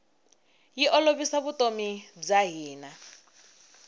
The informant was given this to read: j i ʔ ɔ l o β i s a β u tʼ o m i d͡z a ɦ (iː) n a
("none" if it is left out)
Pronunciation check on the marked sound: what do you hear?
iː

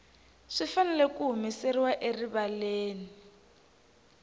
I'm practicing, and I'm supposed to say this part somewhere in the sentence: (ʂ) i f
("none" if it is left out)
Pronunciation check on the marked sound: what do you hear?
ʂ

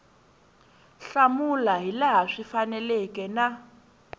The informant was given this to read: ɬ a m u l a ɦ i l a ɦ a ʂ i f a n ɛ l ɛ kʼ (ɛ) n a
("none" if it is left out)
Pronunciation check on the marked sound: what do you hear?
ɛ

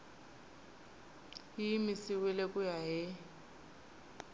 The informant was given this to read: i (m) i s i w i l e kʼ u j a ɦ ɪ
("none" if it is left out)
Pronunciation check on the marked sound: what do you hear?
m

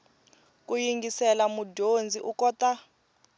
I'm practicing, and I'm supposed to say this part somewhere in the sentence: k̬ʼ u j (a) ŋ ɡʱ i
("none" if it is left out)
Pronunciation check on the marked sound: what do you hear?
i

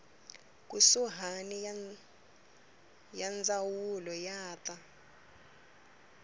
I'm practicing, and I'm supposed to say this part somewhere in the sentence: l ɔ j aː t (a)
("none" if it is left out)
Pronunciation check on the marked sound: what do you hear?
a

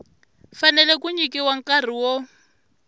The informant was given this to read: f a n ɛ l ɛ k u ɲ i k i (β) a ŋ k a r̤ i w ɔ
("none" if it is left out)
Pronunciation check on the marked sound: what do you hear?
w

